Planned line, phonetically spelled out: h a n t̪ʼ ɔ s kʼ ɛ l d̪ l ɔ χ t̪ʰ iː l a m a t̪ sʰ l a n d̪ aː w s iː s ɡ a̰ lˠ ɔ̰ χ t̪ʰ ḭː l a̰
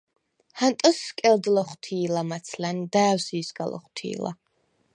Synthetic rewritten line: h a n t̪ʼ ɔ s kʼ ɛ l d̪ l ɔ χ t̪ʰ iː l a m a t̪ sʰ l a n d̪ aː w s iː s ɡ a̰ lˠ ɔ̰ χ t̪ʰ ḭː l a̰